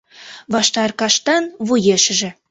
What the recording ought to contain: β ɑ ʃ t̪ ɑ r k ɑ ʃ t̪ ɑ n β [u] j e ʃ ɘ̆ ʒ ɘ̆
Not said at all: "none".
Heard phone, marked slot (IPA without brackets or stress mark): u